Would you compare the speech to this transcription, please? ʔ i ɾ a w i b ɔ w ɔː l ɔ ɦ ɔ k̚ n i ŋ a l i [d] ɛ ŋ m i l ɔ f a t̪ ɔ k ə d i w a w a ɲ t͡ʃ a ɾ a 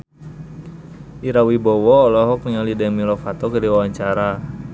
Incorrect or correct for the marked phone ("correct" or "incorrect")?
correct